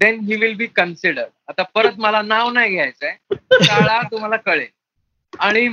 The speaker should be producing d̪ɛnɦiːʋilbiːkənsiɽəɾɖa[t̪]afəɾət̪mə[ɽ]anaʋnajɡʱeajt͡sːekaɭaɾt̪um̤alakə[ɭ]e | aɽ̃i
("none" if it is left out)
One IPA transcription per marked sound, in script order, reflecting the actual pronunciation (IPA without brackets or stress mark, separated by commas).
t̪, l, ɭ